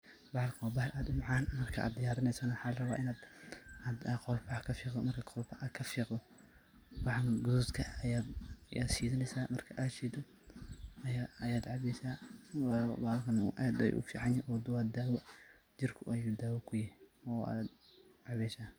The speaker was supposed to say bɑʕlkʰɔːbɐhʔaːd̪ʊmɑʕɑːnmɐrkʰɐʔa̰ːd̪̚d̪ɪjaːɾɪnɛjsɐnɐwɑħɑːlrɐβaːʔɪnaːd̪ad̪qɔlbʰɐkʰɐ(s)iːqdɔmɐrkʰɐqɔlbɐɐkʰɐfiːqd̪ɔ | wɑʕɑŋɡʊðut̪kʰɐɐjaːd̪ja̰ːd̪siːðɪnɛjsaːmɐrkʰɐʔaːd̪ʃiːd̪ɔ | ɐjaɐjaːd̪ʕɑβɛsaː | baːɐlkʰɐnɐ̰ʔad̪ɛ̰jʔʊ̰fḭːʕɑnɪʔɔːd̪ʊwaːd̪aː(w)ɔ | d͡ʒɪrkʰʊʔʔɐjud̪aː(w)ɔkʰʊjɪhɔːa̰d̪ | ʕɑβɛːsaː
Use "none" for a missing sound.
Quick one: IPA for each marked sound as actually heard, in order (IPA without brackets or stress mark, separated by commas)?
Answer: f, w, w